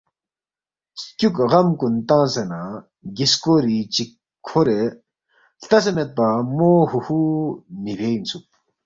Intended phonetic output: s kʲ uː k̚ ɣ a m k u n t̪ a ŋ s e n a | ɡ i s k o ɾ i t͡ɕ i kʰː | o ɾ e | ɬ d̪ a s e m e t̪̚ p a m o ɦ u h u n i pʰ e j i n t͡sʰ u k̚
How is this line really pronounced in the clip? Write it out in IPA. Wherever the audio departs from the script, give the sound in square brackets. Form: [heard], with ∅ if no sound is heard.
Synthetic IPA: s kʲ [u] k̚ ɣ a m k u n t̪ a ŋ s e n a | ɡ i s k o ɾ i t͡ɕ i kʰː | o ɾ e | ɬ [t̪] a s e m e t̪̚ p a m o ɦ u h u n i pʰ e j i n t͡sʰ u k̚